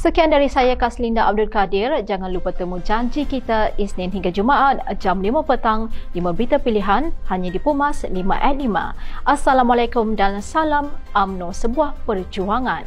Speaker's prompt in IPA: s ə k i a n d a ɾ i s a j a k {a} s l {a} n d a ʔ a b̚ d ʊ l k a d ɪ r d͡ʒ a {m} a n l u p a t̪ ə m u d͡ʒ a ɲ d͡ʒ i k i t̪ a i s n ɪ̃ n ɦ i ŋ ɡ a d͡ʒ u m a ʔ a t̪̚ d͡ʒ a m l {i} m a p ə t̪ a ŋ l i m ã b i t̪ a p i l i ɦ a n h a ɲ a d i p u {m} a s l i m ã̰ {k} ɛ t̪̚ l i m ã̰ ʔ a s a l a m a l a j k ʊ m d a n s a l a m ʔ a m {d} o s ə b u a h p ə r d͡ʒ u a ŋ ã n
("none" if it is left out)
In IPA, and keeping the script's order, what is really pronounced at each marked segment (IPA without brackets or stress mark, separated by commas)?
a, i, ŋ, i, m, ʔ, n